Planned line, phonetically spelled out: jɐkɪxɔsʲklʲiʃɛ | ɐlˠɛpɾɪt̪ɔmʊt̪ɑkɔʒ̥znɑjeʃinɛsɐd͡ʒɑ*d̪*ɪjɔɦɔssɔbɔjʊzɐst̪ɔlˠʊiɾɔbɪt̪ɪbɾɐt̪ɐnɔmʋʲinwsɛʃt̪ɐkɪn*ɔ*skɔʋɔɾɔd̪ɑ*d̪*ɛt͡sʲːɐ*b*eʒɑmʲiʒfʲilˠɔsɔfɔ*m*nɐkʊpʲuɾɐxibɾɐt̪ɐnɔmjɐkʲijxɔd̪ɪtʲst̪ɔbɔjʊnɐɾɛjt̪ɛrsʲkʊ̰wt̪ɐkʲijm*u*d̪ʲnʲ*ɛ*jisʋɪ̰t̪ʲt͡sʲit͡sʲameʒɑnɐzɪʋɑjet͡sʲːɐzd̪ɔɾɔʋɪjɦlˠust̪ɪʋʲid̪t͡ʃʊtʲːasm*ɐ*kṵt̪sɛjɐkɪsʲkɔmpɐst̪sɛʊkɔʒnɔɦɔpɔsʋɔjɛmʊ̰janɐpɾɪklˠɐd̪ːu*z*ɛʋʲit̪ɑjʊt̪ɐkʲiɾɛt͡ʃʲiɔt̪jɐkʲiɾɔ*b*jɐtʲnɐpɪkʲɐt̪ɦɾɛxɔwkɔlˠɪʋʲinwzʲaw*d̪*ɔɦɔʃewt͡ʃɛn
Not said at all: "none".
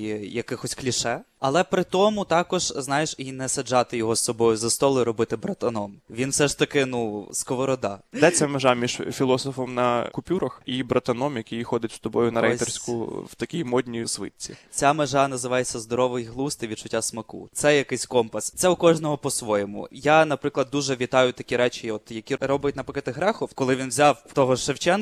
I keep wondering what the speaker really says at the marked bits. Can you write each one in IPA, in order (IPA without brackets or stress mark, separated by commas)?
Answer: t̪, u, d̪, m, m, ɔ, i, ɐ, ʒ, b, t̪